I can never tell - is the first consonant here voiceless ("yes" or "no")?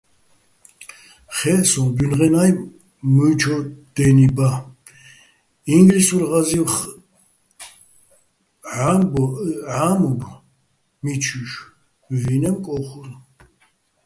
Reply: yes